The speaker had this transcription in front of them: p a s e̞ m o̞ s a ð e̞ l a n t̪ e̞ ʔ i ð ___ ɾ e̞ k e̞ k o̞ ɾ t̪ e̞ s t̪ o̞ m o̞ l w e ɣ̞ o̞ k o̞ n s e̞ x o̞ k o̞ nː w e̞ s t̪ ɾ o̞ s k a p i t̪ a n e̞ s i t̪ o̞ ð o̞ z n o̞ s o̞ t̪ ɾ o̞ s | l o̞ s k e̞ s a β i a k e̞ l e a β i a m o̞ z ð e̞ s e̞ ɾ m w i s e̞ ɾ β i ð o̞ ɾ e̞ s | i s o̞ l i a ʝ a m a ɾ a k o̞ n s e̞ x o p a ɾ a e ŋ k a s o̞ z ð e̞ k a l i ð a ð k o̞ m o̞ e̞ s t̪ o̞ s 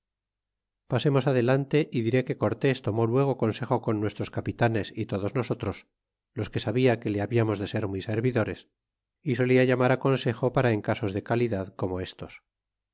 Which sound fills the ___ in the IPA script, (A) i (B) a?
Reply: A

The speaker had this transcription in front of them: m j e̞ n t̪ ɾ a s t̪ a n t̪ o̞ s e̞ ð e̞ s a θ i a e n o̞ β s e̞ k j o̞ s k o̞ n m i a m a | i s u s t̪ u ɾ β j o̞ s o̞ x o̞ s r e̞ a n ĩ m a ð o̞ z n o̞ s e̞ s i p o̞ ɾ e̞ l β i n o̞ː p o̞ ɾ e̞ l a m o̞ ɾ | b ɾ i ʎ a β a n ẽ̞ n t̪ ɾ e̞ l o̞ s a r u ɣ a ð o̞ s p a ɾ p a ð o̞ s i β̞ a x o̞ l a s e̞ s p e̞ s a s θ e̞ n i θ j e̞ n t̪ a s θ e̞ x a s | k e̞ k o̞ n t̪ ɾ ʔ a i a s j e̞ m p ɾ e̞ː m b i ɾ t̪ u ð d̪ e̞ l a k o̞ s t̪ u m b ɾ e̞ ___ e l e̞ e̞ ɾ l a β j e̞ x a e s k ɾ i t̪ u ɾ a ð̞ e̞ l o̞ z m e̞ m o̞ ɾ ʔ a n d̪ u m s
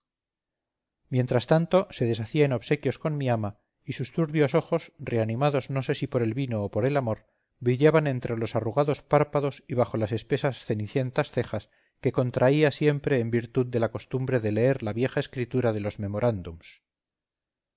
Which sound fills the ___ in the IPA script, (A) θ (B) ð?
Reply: B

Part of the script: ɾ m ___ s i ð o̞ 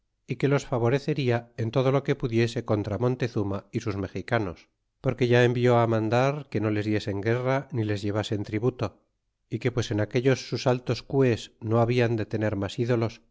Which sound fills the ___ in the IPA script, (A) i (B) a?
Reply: B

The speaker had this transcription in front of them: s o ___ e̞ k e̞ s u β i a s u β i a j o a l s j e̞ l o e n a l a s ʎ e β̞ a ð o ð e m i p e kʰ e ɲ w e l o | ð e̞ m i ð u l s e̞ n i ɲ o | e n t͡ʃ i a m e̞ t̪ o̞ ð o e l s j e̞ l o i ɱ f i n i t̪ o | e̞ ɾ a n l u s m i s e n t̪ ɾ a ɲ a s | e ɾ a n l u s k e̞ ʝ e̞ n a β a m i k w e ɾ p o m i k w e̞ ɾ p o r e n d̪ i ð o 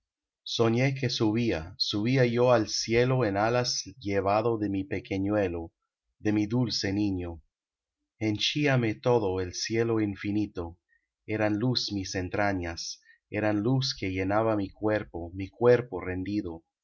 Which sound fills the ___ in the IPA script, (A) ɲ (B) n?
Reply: A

